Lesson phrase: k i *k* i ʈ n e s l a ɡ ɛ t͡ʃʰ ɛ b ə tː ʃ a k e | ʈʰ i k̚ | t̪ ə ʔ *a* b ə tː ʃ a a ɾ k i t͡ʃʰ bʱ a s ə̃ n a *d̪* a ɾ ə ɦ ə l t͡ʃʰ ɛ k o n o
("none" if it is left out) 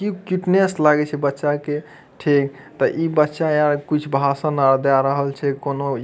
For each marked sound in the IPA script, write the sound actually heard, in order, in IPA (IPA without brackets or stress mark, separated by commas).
k, i, d̪